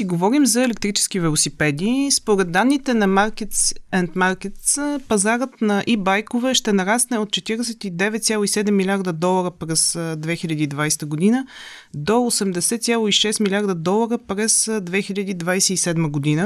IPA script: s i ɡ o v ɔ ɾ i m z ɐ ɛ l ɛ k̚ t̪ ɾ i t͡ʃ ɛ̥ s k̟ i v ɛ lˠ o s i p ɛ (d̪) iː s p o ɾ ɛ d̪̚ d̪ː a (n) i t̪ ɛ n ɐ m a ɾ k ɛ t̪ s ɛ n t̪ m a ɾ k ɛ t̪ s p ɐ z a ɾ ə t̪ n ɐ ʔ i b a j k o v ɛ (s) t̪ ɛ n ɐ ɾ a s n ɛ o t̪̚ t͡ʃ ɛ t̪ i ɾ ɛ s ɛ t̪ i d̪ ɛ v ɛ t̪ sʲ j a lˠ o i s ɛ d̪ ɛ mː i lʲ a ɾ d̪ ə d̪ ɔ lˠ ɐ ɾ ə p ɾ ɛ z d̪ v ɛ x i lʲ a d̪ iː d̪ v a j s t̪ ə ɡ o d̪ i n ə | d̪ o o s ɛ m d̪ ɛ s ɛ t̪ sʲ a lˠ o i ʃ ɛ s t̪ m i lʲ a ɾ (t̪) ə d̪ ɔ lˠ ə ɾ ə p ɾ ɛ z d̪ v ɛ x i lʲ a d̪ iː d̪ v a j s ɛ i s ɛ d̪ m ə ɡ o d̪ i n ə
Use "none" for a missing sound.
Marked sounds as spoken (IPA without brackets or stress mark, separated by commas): d̪, nː, ʃ, d̪